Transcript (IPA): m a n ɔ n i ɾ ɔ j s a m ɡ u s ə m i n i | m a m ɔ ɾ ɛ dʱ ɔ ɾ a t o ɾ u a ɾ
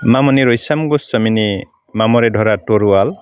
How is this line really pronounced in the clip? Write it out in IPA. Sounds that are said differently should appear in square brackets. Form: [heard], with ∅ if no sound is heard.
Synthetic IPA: m a [m] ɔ n i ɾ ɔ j s a m ɡ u s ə m i n i | m a m ɔ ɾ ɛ dʱ ɔ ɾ a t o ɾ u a [l]